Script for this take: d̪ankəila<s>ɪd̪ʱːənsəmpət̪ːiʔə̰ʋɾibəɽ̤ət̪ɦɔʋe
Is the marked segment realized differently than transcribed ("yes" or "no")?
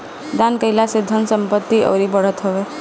no